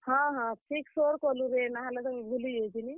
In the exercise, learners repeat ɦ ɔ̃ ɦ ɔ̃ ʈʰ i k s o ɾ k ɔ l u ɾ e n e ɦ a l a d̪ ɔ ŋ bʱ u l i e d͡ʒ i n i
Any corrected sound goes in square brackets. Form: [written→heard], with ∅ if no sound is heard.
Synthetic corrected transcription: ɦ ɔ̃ ɦ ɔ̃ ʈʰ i k s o ɾ k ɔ l u ɾ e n [e→a] ɦ a l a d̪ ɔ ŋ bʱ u l i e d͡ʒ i n i